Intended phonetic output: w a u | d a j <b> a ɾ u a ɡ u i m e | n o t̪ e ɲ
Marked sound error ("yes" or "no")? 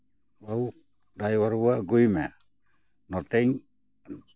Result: yes